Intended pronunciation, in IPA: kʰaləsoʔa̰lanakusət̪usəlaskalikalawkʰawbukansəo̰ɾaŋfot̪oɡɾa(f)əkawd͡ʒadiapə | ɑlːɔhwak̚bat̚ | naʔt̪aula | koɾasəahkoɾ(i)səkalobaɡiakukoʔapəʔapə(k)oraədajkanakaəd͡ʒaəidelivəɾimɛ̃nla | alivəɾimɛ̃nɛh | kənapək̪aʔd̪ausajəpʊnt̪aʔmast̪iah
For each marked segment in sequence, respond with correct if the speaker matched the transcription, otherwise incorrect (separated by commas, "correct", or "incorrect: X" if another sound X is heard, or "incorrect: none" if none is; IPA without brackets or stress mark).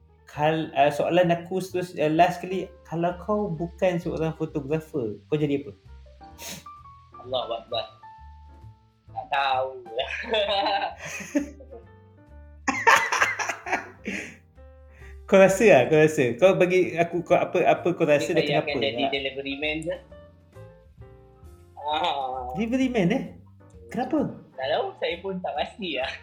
correct, incorrect: a, correct